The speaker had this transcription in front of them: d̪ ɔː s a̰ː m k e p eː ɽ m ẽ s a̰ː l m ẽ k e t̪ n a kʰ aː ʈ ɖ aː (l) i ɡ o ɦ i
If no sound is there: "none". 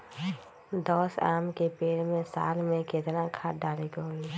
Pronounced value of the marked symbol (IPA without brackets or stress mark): l